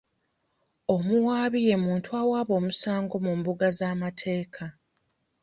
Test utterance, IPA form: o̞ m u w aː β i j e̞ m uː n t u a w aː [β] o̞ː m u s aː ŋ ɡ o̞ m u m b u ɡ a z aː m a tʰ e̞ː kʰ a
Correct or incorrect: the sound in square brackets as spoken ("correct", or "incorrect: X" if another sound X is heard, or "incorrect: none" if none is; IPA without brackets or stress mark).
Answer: correct